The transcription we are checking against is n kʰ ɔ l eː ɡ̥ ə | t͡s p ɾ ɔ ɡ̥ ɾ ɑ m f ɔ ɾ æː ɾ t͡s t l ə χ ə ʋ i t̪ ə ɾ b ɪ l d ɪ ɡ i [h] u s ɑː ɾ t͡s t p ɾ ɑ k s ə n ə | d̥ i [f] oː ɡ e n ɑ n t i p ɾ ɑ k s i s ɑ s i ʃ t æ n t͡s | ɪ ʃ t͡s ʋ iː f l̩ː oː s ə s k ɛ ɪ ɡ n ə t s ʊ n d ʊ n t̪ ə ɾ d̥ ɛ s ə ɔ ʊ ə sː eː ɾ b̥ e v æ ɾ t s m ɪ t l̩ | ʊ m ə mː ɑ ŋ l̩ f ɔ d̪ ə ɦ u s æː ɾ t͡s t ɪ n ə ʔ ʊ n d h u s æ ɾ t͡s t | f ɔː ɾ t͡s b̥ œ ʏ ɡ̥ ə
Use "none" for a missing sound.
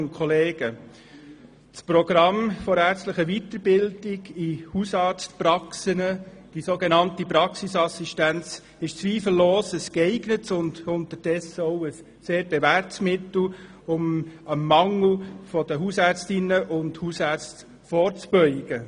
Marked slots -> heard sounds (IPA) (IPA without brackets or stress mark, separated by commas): h, s